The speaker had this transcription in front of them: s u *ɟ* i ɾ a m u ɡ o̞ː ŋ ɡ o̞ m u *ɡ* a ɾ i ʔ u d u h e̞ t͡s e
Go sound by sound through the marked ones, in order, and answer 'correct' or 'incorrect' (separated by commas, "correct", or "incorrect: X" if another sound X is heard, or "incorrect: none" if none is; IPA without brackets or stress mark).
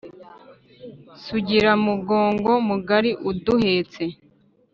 correct, correct